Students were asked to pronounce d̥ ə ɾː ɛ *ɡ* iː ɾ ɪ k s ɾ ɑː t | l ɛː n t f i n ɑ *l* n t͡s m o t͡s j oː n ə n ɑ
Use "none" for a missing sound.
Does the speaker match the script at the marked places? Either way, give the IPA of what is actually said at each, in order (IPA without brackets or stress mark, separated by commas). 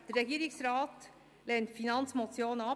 ɡ, none